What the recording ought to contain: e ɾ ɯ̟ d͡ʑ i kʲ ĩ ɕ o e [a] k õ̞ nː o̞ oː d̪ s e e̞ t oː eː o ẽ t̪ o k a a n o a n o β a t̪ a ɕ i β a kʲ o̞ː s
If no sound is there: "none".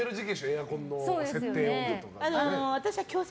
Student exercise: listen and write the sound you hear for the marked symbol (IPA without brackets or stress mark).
a